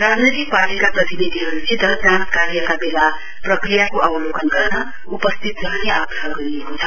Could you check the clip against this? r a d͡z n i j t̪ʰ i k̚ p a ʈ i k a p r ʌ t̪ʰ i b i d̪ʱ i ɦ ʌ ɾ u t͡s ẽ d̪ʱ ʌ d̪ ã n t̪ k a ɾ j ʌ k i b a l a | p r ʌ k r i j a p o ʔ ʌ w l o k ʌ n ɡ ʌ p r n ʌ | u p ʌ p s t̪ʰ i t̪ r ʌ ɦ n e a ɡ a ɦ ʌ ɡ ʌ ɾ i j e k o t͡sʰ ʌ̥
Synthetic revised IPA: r a d͡z n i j t̪ i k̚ p a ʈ i k a p r ʌ t̪ i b i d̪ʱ i ɦ ʌ ɾ u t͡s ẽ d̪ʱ ʌ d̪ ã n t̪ k a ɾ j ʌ k a b e l a | p r ʌ k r i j a k o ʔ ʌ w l o k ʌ n ɡ ʌ r n ʌ | u p ʌ s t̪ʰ i t̪ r ʌ ɦ n e a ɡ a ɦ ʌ ɡ ʌ ɾ i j e k o t͡sʰ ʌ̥

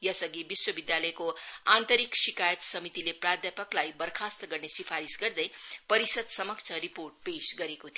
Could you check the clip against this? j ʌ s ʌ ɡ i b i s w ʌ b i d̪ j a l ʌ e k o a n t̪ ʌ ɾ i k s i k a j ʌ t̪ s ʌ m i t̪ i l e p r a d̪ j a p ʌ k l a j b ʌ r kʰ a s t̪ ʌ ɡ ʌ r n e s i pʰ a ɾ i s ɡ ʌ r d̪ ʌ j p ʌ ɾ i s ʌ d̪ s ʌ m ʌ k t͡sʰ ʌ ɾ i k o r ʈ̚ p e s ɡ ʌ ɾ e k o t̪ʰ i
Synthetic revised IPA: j ʌ s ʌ ɡ i b i s w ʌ b i d̪ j a l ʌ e k o a n t̪ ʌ ɾ i k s i k a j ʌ t̪ s ʌ m i t̪ i l e p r a d̪ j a p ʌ k l a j b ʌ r kʰ a s t̪ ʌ ɡ ʌ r n e s i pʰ a ɾ i s ɡ ʌ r d̪ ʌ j p ʌ ɾ i s ʌ d̪ s ʌ m ʌ k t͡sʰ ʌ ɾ i p o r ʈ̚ p e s ɡ ʌ ɾ e k o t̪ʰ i

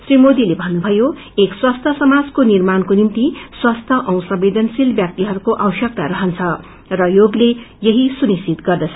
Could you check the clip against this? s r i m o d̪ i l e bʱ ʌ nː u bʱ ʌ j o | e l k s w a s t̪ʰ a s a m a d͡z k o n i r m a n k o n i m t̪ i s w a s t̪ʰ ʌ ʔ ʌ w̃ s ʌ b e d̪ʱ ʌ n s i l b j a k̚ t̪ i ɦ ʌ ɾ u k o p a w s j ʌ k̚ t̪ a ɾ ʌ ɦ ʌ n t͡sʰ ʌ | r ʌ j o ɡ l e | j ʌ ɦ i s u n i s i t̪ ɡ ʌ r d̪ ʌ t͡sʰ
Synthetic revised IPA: s r i m o d̪ i l e bʱ ʌ nː u bʱ ʌ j o | e k s w a s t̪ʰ ʌ s ʌ m a d͡z k o n i r m a n k o n i m t̪ i s w a s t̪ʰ ʌ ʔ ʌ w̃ s ʌ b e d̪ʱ ʌ n s i l b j a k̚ t̪ i ɦ ʌ ɾ u k o ʔ a w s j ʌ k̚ t̪ a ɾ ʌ ɦ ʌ n t͡sʰ ʌ | r ʌ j o ɡ l e | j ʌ ɦ i s u n i s i t̪ ɡ ʌ r d̪ ʌ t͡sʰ

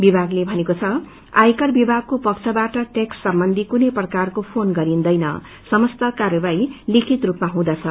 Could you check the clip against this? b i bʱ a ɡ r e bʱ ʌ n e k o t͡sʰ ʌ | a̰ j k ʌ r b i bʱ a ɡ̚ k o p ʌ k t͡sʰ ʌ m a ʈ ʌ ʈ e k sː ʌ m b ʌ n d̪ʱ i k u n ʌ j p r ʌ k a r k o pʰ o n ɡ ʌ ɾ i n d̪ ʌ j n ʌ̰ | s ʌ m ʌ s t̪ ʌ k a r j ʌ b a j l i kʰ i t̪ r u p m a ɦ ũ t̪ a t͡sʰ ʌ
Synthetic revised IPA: b i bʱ a ɡ l e bʱ ʌ n e k o t͡sʰ ʌ | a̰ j k ʌ r b i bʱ a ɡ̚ k o p ʌ k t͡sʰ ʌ b a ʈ ʌ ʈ e k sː ʌ m b ʌ n d̪ʱ i k u n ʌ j p r ʌ k a r k o pʰ o n ɡ ʌ ɾ i n d̪ ʌ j n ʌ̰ | s ʌ m ʌ s t̪ ʌ k a r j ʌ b a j l i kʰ i t̪ r u p m a ɦ ũ d̪ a t͡sʰ ʌ

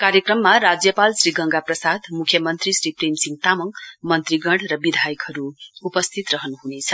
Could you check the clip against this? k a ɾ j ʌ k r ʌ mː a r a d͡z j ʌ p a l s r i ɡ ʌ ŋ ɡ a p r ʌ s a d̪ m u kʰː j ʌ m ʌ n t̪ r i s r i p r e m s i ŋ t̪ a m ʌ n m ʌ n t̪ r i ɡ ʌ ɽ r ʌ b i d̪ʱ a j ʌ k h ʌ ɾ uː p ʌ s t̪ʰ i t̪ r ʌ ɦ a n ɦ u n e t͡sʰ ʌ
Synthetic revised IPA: k a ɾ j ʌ k r ʌ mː a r a d͡z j ʌ p a l s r i ɡ ʌ ŋ ɡ a p r ʌ s a d̪ m u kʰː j ʌ m ʌ n t̪ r i s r i p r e m s i ŋ t̪ a m ʌ ŋ m ʌ n t̪ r i ɡ ʌ ɽ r ʌ b i d̪ʱ a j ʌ k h ʌ ɾ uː p ʌ s t̪ʰ i t̪ r ʌ ɦ ʌ n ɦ u n e t͡sʰ ʌ

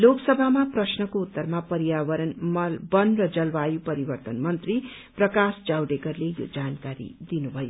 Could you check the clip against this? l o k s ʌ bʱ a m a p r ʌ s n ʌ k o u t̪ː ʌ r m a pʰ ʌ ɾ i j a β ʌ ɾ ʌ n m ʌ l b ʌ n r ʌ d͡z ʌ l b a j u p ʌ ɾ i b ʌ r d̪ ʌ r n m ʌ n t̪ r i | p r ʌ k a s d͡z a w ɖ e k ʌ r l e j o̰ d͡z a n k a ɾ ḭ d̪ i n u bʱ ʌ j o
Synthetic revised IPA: l o k s ʌ bʱ a m a p r ʌ s n ʌ k o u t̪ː ʌ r m a p ʌ ɾ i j a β ʌ ɾ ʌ n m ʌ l b ʌ n r ʌ d͡z ʌ l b a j u p ʌ ɾ i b ʌ r t̪ ʌ n m ʌ n t̪ r i | p r ʌ k a s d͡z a w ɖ e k ʌ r l e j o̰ d͡z a n k a ɾ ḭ d̪ i n u bʱ ʌ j o

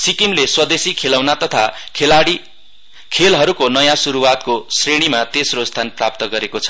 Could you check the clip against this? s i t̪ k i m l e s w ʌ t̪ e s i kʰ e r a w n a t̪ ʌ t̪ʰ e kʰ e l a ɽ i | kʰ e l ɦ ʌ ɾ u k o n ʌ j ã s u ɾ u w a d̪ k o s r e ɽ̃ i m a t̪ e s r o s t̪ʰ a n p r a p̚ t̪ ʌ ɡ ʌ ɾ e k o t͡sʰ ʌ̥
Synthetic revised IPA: s i k i m l e s w ʌ d̪ e s i kʰ e l a w n a t̪ ʌ t̪ʰ a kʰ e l a ɽ i | kʰ e l ɦ ʌ ɾ u k o n ʌ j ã s u ɾ u w a t̪ k o s r e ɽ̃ i m a t̪ e s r o s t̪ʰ a n p r a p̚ t̪ ʌ ɡ ʌ ɾ e k o t͡sʰ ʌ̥

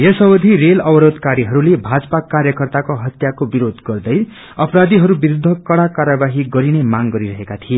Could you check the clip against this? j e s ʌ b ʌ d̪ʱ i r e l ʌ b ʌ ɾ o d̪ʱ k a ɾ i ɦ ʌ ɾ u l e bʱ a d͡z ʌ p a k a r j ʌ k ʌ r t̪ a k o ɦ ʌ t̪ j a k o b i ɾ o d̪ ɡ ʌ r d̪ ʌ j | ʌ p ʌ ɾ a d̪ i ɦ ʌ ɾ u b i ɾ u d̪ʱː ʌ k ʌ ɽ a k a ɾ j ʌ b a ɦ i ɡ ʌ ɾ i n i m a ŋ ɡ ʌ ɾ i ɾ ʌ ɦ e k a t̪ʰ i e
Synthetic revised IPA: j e s ʌ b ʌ d̪ʱ i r e l ʌ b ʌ ɾ o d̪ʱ k a ɾ i ɦ ʌ ɾ u l e bʱ a d͡z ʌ p a k a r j ʌ k ʌ r t̪ a k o ɦ ʌ t̪ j a k o b i ɾ o d̪ ɡ ʌ r d̪ ʌ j | ʌ p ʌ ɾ a d̪ i ɦ ʌ ɾ u b i ɾ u d̪ʱː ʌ k ʌ ɽ a k a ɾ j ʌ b a ɦ i ɡ ʌ ɾ i n e m a ŋ ɡ ʌ ɾ i ɾ ʌ ɦ e k a t̪ʰ i e

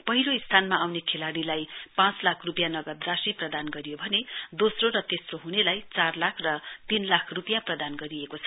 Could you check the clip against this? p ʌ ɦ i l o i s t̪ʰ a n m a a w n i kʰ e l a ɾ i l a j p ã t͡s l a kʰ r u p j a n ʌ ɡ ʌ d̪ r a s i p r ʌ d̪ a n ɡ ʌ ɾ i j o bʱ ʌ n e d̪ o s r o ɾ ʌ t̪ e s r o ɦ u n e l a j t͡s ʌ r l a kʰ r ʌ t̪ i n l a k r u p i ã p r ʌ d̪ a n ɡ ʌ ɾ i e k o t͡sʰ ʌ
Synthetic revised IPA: p ʌ ɦ i l o i s t̪ʰ a n m a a w n e kʰ e l a ɽ i l a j p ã t͡s l a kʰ r u p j a n ʌ ɡ ʌ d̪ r a s i p r ʌ d̪ a n ɡ ʌ ɾ i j o bʱ ʌ n e d̪ o s r o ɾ ʌ t̪ e s r o ɦ u n e l a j t͡s a r l a kʰ r ʌ t̪ i n l a kʰ r u p j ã p r ʌ d̪ a n ɡ ʌ ɾ i e k o t͡sʰ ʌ

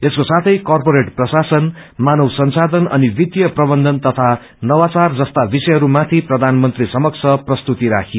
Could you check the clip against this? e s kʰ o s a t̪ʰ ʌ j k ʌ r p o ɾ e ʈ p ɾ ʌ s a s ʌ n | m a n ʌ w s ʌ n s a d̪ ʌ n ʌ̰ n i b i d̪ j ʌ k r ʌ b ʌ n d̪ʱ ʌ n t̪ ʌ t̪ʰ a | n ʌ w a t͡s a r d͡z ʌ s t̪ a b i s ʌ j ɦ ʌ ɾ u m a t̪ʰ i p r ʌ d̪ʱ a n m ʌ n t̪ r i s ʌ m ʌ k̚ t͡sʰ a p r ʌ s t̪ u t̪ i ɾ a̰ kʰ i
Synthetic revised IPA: e s k o s a t̪ʰ ʌ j k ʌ r p o ɾ e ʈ p r ʌ s a s ʌ n | m a n ʌ w s ʌ n s a d̪ ʌ n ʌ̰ n i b i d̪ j ʌ p r ʌ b ʌ n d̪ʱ ʌ n t̪ ʌ t̪ʰ a | n ʌ w a t͡s a r d͡z ʌ s t̪ a b i s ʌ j ɦ ʌ ɾ u m a t̪ʰ i p r ʌ d̪ʱ a n m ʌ n t̪ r i s ʌ m ʌ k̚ t͡sʰ ʌ p r ʌ s t̪ u t̪ i ɾ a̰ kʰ i

